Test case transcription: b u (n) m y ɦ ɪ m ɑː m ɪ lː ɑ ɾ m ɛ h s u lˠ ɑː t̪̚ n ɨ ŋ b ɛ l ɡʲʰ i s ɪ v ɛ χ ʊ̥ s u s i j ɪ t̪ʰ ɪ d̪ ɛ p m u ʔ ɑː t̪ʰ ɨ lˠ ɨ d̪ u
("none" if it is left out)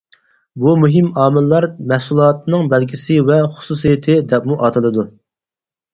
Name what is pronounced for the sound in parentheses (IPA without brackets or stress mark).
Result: none